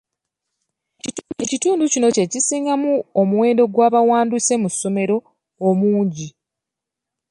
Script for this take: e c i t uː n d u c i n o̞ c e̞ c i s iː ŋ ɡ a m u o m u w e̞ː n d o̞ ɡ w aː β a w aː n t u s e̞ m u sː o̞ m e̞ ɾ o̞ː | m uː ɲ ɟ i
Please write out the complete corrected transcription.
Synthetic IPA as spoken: e c i t uː n d u c i n o̞ c e̞ c i s iː ŋ ɡ a m u o m u w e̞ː n d o̞ ɡ w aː β a w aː n d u s e̞ m u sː o̞ m e̞ ɾ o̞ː | m uː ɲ ɟ i